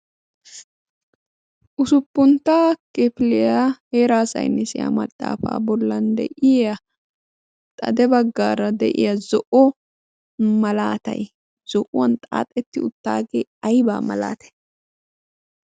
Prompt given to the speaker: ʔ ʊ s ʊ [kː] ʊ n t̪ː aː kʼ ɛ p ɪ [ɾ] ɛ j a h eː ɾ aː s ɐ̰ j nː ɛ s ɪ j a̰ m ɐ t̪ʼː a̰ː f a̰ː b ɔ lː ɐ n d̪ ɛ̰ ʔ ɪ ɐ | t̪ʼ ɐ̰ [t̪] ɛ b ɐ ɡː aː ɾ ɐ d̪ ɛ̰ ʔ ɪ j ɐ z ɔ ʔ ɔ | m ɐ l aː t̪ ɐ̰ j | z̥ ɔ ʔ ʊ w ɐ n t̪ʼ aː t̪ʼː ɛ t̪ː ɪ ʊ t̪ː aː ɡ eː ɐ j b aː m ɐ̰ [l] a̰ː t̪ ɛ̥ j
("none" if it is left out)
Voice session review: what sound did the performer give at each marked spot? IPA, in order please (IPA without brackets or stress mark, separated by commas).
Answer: pː, l, d̪, l